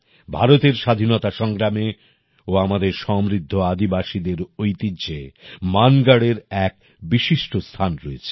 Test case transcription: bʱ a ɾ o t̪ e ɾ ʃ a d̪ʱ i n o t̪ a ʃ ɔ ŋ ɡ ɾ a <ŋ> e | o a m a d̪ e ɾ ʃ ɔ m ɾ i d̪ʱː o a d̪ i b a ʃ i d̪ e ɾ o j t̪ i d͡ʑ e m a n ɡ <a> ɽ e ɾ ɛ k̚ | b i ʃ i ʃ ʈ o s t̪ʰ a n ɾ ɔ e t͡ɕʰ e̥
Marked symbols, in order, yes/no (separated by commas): no, yes